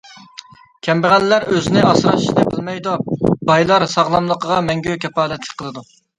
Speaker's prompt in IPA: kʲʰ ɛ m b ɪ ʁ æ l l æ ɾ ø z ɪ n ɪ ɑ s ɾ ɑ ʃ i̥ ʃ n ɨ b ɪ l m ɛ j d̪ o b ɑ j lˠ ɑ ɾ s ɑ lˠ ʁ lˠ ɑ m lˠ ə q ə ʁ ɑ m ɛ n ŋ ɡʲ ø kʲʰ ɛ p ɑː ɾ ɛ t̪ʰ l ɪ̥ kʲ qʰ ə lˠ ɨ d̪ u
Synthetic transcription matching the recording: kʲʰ ɛ m b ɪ ʁ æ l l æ ɾ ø z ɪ n ɪ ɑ s ɾ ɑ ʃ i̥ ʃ n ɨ b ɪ l m ɛ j d̪ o b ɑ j lˠ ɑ ɾ s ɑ ʁ lˠ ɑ m lˠ ə q ə ʁ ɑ m ɛ ŋ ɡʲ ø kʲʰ ɛ p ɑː l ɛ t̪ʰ l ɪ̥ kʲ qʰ ə lˠ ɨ d̪ u